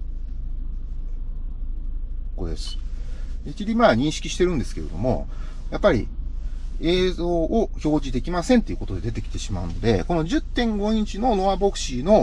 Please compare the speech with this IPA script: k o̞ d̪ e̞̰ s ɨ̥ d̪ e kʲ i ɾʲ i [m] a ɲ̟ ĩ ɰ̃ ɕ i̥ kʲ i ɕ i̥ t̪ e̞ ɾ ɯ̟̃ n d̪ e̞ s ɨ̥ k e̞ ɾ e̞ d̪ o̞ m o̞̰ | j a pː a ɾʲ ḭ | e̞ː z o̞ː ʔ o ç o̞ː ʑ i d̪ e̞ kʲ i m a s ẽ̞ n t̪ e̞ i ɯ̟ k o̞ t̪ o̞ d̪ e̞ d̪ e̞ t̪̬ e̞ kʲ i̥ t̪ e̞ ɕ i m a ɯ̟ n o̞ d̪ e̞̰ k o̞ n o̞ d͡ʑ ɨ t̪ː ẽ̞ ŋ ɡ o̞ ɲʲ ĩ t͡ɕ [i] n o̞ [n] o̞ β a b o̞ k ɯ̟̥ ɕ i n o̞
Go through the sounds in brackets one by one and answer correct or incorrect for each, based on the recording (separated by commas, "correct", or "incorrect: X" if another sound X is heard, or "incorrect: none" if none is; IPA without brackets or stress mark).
correct, correct, correct